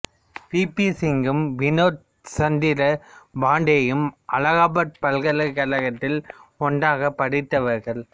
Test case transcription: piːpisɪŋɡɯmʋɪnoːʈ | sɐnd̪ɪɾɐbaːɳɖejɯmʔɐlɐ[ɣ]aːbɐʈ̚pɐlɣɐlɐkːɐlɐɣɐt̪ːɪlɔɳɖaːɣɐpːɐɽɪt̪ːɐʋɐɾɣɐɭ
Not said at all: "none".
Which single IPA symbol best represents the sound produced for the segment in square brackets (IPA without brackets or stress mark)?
ɣ